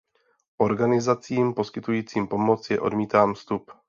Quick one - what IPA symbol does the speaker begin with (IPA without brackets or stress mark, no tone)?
ʔ